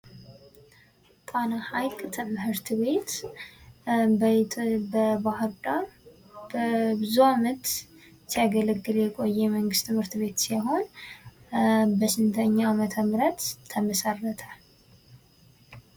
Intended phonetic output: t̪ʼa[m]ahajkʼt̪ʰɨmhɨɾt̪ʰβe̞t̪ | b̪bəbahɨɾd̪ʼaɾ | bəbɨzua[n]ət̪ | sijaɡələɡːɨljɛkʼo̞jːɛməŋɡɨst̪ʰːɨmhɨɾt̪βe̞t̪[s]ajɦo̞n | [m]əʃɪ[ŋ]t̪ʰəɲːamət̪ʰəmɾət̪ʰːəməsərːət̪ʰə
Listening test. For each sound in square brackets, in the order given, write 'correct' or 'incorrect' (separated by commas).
incorrect, incorrect, correct, incorrect, incorrect